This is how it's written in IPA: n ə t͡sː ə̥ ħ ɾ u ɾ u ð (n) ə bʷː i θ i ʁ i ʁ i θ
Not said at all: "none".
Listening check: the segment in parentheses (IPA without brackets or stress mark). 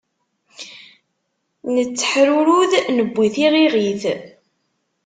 n